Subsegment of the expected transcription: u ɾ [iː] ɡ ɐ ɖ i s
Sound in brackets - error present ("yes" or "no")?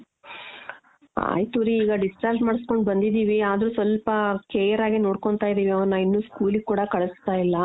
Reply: no